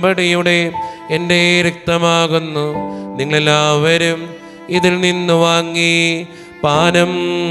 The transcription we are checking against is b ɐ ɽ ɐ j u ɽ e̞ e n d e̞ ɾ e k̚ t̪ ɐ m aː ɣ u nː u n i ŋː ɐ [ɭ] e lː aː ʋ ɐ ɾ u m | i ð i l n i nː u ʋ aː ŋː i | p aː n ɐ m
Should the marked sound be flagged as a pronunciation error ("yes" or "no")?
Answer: no